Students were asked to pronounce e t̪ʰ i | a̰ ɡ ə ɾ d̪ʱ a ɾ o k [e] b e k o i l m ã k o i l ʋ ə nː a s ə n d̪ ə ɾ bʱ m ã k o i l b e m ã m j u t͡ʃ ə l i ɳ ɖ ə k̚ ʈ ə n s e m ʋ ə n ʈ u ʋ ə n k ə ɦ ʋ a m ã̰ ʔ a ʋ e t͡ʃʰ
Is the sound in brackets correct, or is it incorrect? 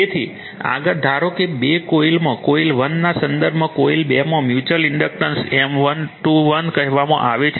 correct